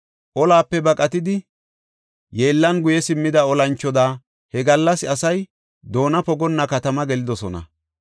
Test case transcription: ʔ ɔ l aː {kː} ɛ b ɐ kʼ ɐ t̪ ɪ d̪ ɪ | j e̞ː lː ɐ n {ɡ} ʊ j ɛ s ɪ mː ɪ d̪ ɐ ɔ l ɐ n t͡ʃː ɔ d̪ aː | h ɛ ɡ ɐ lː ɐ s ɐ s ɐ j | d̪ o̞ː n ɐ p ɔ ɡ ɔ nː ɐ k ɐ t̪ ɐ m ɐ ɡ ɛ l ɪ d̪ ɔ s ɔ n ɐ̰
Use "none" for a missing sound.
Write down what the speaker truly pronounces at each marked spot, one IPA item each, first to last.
pː, ɡ

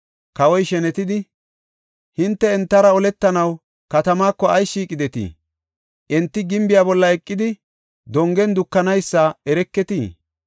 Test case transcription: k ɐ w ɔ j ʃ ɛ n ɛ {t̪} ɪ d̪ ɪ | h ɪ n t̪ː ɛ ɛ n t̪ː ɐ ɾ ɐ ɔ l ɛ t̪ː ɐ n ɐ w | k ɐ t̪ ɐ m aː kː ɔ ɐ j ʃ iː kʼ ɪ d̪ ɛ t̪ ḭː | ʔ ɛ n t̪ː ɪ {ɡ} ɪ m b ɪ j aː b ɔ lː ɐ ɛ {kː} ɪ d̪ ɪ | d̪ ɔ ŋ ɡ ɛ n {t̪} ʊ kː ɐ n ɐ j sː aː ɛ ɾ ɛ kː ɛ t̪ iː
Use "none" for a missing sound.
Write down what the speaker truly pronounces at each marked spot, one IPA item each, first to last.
t̪, ɡ, kʼː, d̪

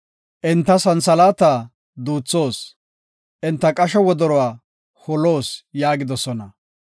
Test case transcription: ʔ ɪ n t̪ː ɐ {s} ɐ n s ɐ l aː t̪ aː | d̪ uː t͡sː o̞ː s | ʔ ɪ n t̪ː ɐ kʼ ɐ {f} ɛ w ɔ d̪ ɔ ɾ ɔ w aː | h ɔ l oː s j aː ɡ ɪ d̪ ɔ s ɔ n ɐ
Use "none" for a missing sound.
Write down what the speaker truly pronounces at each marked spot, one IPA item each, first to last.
s, ʃ

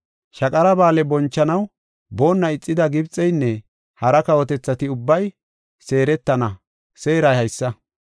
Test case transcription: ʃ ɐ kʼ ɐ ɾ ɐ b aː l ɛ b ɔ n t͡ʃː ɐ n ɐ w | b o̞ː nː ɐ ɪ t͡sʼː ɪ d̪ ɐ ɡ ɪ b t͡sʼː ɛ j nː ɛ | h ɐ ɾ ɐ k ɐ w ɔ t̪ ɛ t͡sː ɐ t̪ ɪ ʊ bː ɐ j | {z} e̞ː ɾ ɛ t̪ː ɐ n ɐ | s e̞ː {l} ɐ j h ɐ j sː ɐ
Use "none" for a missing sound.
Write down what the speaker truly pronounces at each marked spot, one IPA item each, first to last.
s, ɾ

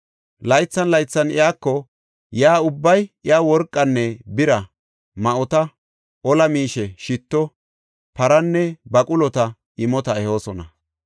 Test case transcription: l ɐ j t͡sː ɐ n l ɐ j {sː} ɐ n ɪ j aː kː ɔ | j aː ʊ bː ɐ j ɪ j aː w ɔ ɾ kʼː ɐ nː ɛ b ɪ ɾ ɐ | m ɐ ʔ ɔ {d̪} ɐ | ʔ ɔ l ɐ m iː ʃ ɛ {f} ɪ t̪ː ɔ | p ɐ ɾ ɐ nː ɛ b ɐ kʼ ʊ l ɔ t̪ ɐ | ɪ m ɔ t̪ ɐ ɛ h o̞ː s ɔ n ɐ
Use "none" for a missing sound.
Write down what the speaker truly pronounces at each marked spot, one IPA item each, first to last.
t͡sː, t̪, ʃ

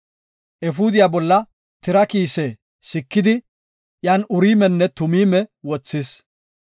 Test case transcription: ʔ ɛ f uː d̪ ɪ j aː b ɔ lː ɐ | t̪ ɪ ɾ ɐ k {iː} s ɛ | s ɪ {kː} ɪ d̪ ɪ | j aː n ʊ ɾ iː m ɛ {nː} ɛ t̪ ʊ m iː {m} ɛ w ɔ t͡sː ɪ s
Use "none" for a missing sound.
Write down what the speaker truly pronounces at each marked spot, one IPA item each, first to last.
iː, kː, nː, m

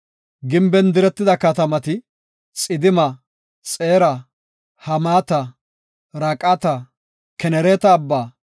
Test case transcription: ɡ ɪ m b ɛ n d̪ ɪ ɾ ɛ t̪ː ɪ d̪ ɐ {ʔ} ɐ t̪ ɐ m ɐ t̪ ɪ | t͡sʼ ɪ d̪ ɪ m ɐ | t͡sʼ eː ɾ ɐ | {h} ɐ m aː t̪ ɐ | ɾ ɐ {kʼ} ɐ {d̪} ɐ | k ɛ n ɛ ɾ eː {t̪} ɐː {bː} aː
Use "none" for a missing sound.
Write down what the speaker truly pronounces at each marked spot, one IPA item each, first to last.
k, h, kʼ, t̪, t̪, bː

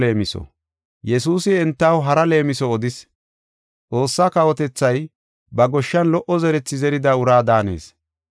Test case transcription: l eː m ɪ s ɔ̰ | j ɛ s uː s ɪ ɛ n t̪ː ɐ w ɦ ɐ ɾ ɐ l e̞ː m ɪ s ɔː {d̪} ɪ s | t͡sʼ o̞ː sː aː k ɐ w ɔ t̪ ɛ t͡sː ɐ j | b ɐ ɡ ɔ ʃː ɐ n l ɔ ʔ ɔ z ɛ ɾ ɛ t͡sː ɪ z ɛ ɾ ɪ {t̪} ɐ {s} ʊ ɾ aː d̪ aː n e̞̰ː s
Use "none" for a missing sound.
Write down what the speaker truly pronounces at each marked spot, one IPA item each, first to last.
d̪, d̪, none

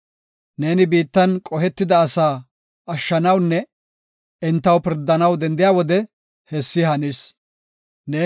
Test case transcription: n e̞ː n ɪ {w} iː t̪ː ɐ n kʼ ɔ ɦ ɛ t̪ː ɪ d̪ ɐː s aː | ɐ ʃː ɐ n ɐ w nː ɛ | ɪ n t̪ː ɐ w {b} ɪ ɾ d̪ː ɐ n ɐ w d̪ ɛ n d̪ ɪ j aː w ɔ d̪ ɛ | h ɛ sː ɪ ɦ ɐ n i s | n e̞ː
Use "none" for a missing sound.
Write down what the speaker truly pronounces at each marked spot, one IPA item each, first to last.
b, p

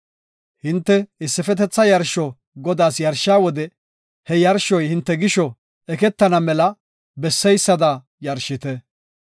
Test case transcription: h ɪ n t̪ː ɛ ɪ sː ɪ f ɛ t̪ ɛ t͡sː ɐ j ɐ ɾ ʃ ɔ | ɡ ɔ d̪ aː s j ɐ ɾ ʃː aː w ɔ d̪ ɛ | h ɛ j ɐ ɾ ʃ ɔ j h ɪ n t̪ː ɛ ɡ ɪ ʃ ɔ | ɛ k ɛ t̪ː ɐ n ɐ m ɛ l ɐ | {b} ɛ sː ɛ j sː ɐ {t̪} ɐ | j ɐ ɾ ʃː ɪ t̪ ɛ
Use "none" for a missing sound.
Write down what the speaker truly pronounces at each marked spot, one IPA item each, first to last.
b, d̪

